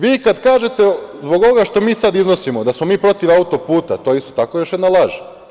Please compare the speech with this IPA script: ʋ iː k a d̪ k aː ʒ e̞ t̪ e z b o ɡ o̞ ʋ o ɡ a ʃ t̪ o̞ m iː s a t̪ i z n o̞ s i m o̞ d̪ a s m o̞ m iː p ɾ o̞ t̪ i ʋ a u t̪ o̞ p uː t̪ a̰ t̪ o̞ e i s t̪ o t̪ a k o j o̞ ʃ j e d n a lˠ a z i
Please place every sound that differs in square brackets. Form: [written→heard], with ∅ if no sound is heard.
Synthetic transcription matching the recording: ʋ iː k a d̪ k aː ʒ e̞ t̪ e z b o ɡ o̞ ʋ o ɡ a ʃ t̪ o̞ m iː s a [t̪→d̪] i z n o̞ s i m o̞ d̪ a s m o̞ m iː p ɾ o̞ t̪ i ʋ a u t̪ o̞ p uː t̪ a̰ t̪ o̞ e i s t̪ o t̪ a k o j o̞ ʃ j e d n a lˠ a [z→ʒ] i